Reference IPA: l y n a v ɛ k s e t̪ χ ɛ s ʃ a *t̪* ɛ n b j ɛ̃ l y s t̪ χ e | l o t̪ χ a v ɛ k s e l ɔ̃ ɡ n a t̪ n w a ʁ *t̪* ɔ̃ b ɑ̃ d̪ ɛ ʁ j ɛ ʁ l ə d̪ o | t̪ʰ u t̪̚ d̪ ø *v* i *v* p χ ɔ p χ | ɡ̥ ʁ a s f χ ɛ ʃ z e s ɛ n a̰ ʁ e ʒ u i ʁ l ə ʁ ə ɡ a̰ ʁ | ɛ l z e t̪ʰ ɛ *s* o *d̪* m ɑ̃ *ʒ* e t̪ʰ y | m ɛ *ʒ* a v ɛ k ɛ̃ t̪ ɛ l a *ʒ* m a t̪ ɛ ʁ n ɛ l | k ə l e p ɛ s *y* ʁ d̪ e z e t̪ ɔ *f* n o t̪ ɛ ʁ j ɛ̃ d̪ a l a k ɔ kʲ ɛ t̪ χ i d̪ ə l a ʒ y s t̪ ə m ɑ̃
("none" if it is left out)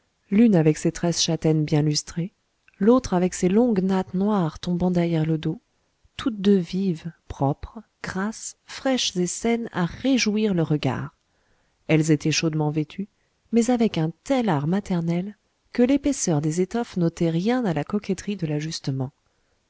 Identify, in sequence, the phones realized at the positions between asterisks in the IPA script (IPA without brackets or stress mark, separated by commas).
t̪, t̪, v, v, ʃ, d̪, v, z, ʁ, œ, f